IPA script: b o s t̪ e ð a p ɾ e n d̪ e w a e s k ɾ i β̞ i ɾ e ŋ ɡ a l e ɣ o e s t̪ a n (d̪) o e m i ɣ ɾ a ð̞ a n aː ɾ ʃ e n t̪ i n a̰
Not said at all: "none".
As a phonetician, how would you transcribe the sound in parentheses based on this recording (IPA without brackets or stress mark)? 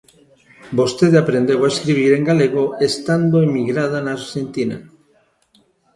d̪